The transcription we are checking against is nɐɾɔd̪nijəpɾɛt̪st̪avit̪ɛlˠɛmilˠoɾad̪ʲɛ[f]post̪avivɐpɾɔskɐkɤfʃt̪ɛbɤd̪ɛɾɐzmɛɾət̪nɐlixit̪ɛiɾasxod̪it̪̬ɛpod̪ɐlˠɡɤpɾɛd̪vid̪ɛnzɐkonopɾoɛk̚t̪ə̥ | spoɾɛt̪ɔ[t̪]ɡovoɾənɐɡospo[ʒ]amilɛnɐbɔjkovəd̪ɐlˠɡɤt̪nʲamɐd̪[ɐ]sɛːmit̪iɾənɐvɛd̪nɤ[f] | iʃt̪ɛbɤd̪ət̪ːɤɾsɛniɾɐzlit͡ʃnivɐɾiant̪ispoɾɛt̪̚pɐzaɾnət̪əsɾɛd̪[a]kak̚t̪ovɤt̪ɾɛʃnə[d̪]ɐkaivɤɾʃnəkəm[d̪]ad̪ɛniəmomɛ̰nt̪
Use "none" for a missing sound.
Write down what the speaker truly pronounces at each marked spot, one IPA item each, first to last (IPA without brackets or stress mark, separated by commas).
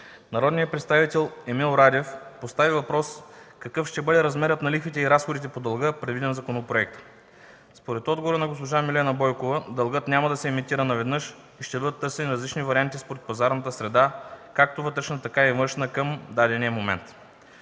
f, d̪, ʒ, ɐ, ʃ, a, t̪, d̪